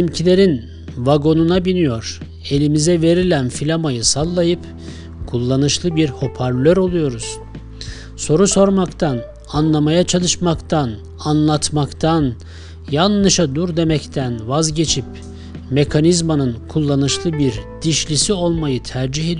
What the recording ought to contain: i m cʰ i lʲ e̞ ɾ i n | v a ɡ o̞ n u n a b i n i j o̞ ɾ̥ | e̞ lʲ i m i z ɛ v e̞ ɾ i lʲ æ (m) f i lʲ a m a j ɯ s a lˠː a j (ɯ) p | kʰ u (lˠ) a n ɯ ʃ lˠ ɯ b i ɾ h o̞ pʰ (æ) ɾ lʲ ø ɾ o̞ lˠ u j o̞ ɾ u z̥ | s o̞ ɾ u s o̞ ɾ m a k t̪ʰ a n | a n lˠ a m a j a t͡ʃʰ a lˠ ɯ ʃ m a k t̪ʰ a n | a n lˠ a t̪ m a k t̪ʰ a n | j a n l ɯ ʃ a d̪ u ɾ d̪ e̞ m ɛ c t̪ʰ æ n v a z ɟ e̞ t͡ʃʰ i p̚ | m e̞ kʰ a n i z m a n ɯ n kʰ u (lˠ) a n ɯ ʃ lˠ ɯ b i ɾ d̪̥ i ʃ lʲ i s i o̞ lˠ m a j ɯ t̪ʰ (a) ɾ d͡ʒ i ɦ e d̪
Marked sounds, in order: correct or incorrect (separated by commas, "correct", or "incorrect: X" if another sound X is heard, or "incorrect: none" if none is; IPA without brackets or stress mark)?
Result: incorrect: n, correct, incorrect: lˠː, incorrect: a, incorrect: lˠː, incorrect: æ